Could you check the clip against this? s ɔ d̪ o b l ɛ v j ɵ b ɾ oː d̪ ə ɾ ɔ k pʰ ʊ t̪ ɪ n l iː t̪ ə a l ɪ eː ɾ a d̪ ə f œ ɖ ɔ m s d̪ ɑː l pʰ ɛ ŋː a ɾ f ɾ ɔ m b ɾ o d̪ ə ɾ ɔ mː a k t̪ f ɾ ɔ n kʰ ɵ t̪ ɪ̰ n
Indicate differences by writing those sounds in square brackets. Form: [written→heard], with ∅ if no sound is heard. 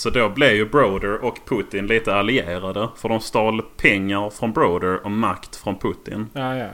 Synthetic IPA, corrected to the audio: s ɔ d̪ o b l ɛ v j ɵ b ɾ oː d̪ ə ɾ ɔ k pʰ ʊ t̪ ɪ n l iː t̪ ə a l ɪ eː ɾ a d̪ ə f œ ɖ ɔ m s [d̪→t̪] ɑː l pʰ ɛ ŋː a ɾ f ɾ ɔ [m→n] b ɾ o d̪ ə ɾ ɔ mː a k t̪ f ɾ ɔ n [kʰ→pʰ] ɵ t̪ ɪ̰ n